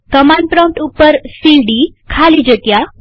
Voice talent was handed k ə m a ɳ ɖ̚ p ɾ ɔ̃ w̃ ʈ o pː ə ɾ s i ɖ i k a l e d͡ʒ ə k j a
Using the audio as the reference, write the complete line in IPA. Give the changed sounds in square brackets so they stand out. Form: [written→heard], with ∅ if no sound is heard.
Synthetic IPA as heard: k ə m a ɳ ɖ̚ p ɾ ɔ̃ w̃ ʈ [o→u] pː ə ɾ s i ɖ i [k→kʰ] a l [e→i] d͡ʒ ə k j a